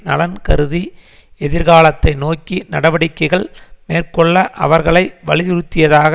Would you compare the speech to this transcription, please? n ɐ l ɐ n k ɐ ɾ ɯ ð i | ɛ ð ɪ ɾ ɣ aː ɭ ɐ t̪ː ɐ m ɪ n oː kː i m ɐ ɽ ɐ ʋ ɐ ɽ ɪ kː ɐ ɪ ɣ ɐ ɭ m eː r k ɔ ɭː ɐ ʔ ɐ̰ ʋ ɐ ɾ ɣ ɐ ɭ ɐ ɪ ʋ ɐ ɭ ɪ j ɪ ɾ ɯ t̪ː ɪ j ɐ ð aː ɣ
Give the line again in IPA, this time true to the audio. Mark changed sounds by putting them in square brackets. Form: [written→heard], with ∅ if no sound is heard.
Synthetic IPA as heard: n ɐ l ɐ n k ɐ ɾ ɯ ð i | ɛ ð ɪ ɾ ɣ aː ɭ ɐ t̪ː ɐ [m→∅] ɪ n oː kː i [m→n] ɐ ɽ ɐ ʋ ɐ ɽ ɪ kː ɐ ɪ ɣ ɐ ɭ m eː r k ɔ ɭː ɐ ʔ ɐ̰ ʋ ɐ ɾ ɣ ɐ ɭ ɐ ɪ ʋ ɐ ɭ ɪ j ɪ ɾ ɯ t̪ː ɪ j ɐ ð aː ɣ